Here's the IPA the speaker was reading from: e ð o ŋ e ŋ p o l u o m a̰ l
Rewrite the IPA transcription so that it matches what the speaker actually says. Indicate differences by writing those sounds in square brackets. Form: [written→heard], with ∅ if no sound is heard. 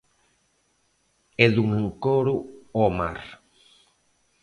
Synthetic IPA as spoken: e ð [o→u] ŋ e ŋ [p→k] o [l→ɾ] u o m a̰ [l→ɾ]

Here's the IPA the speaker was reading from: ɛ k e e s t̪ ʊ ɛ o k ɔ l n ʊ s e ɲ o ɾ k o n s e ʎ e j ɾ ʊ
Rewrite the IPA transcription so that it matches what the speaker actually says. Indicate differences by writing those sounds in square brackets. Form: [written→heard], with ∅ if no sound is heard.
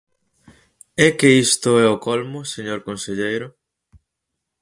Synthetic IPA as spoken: ɛ k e [e→i] s t̪ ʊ ɛ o k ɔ l [n→m] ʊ s e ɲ o ɾ k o n s e ʎ e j ɾ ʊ

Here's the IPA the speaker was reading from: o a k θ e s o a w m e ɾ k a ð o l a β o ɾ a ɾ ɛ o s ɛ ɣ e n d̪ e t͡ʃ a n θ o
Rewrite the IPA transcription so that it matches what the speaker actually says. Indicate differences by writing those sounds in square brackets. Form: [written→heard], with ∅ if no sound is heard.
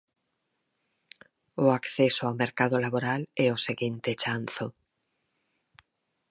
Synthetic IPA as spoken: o a k θ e s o a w m e ɾ k a ð o l a β o ɾ a [ɾ→l] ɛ o s [ɛ→e] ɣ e n [d̪→t̪] e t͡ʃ a n θ o

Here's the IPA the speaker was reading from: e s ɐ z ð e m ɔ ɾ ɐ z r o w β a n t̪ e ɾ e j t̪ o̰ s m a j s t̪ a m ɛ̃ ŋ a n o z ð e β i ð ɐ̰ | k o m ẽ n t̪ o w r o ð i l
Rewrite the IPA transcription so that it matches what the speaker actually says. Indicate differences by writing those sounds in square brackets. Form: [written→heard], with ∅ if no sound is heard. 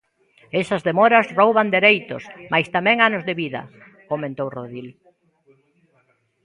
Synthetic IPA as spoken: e s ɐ z ð e m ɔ ɾ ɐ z r o w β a n [t̪→d̪] e ɾ e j t̪ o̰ s m a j s t̪ a m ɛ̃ ŋ a n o z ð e β i ð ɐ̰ | k o m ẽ n t̪ o w r o ð i l

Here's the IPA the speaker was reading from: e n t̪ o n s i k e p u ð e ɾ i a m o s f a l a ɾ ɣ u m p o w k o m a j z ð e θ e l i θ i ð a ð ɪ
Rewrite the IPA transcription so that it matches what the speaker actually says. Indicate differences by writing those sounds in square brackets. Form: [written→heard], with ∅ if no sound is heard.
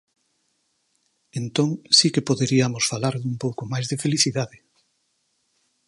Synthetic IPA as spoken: e n t̪ o [n→ŋ] s i k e p [u→o] ð e ɾ i a m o s f a l a ɾ [ɣ→ð] u m p o w k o m a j z ð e [θ→f] e l i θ i ð a ð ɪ

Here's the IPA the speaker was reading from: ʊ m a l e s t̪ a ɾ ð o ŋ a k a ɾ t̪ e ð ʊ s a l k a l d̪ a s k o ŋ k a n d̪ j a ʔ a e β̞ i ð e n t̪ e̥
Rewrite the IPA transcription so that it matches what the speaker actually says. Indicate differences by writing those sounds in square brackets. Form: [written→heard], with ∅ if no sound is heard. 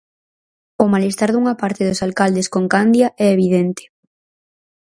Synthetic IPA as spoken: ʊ m a l e s t̪ a ɾ ð [o→u] ŋ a [k→p] a ɾ t̪ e ð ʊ s a l k a l d̪ [a→e] s k o ŋ k a n d̪ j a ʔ [a→ɛ] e β̞ i ð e n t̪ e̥

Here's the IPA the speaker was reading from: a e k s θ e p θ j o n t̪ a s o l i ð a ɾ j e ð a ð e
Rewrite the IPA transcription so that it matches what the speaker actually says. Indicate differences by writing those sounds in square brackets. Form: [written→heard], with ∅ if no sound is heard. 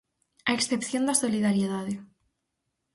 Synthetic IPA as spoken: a e k s θ e p θ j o n [t̪→d̪] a s o l i ð a ɾ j e ð a ð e

